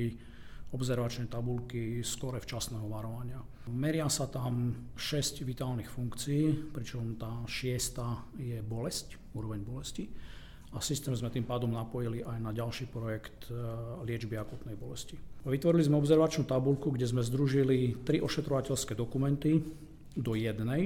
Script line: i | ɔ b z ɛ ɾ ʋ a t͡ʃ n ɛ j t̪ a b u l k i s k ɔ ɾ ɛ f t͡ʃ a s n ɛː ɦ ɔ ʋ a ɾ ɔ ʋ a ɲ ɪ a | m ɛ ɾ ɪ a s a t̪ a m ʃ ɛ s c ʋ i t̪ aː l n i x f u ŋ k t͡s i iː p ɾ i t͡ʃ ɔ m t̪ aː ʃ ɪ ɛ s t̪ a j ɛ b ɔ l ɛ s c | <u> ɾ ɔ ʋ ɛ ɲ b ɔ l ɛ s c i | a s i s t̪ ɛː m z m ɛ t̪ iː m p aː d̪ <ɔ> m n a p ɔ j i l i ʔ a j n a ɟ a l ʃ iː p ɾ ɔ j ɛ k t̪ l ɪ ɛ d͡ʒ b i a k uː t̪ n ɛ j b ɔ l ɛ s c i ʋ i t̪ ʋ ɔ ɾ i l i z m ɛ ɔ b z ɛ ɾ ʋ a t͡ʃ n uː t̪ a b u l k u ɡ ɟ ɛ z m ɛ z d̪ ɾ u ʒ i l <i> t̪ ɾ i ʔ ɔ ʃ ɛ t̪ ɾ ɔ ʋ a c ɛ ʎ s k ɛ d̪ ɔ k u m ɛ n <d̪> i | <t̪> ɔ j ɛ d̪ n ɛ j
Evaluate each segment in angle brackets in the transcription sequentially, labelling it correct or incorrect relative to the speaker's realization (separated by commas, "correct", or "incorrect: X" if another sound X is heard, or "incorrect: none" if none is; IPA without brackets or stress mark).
incorrect: uː, correct, correct, incorrect: t̪, incorrect: d̪